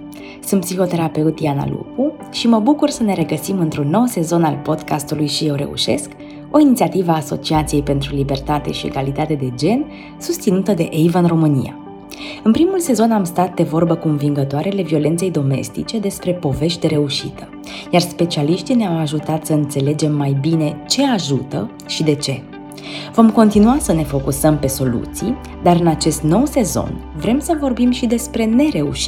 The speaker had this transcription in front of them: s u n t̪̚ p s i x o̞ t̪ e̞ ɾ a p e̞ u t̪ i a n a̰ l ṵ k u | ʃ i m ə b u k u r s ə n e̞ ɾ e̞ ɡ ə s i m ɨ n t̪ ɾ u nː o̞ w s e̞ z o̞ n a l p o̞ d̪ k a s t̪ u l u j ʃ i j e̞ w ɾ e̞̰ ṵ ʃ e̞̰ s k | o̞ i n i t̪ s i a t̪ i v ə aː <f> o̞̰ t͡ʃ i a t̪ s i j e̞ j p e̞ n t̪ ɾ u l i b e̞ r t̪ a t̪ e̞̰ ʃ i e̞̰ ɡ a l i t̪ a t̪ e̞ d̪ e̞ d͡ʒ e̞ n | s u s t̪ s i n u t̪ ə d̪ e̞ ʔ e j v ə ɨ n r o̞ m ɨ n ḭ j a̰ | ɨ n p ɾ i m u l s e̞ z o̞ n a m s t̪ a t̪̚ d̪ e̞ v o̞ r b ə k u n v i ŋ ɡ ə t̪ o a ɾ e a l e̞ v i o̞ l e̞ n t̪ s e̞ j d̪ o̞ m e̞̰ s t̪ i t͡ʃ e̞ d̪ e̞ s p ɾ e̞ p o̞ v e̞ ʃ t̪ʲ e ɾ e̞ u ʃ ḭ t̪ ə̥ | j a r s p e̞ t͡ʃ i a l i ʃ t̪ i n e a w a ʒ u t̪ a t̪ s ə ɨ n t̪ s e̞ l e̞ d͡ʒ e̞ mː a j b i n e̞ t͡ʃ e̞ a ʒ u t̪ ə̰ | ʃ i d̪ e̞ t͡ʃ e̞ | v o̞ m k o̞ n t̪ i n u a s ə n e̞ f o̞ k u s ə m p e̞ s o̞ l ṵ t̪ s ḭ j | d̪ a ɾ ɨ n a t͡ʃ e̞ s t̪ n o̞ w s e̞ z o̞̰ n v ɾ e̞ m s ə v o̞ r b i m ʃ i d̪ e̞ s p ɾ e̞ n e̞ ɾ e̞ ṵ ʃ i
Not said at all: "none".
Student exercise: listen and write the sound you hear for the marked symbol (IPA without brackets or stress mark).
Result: s